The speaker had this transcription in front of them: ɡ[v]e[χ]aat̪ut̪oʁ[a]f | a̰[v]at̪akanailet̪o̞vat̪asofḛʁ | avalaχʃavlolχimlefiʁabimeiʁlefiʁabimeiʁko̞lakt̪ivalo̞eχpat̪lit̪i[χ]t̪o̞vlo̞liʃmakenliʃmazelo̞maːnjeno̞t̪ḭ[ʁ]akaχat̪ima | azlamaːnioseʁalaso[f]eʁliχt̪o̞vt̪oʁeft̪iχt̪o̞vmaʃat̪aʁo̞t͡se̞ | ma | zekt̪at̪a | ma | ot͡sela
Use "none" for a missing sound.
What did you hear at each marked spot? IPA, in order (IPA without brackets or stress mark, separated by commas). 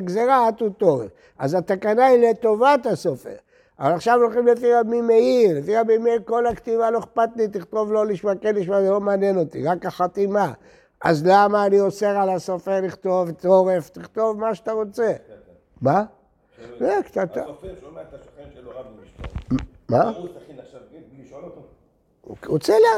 z, ʁ, e, z, χ, ʁ, f